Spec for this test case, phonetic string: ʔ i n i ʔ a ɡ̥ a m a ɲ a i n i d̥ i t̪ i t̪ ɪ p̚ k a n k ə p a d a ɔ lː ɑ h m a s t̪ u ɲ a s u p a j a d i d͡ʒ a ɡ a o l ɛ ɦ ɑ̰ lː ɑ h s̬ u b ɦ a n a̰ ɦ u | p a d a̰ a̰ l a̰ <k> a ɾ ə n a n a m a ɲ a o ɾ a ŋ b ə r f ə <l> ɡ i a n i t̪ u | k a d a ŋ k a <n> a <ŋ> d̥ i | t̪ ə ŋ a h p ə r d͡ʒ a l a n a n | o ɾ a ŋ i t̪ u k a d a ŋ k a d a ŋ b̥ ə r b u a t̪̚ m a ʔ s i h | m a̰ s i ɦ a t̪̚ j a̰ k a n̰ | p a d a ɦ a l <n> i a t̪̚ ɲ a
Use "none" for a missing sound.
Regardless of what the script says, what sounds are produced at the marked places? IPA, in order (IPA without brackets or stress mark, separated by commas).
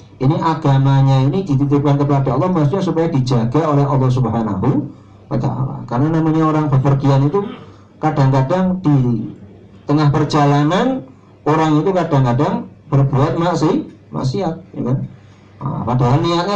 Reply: k, r, d, ŋ, n